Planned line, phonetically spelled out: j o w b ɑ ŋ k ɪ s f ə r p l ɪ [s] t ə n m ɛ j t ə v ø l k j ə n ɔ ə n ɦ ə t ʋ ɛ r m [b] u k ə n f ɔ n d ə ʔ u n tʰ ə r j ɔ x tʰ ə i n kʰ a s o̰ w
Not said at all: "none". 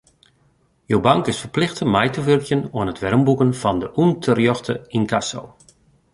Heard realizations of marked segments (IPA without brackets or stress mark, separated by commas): x, b